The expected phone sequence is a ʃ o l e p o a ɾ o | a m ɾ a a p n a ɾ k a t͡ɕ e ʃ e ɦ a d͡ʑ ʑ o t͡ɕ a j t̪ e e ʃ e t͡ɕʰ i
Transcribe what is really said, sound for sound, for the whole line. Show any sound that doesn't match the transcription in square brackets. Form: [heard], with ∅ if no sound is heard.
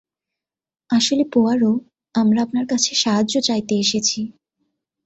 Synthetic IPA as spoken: a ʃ o l e p o a ɾ o | a m ɾ a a p n a ɾ k a [t͡ɕʰ] e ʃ [a] ɦ a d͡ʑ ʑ o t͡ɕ a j t̪ e e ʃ e t͡ɕʰ i